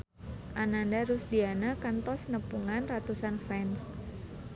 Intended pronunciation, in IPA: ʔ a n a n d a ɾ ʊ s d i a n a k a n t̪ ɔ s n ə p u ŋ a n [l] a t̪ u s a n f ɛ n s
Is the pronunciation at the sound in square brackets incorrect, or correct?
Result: incorrect